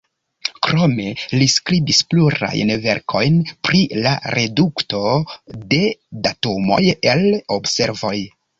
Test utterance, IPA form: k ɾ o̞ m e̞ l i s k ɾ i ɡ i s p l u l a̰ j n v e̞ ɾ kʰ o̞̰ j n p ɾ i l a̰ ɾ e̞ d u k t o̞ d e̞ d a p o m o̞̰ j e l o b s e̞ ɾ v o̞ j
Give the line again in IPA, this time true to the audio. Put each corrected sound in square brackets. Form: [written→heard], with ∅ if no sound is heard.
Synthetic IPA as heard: k ɾ o̞ m e̞ l i s k ɾ i [ɡ→b] i s p l u [l→ɾ] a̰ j n v e̞ ɾ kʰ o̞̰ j n p ɾ i l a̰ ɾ e̞ d u k t o̞ d e̞ d a [p→t] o m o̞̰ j e l o b s e̞ ɾ v o̞ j